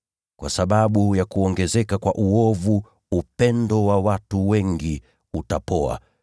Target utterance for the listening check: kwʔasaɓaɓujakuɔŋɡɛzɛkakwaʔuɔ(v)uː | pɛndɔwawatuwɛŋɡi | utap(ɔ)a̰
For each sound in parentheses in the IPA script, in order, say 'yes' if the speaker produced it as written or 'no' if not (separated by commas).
yes, yes